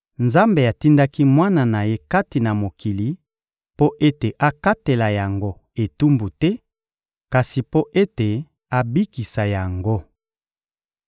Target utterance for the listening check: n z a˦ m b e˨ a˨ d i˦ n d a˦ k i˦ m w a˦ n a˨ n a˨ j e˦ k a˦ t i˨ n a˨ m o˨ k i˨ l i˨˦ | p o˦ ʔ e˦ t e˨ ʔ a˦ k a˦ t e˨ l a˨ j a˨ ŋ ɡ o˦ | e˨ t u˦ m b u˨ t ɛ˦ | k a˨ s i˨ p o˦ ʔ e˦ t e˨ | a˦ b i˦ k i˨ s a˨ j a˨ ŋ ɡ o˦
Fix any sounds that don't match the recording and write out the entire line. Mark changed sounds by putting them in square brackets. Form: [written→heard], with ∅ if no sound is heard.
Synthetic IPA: n z a˦ m b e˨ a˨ [d→t] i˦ n d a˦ k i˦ m w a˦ n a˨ n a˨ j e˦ k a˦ t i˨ n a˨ m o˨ k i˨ l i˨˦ | p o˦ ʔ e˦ t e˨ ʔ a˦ k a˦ t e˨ l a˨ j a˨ ŋ ɡ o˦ | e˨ t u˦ m b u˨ t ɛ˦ | k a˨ s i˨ p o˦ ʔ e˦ t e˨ | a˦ b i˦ k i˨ s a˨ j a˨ ŋ ɡ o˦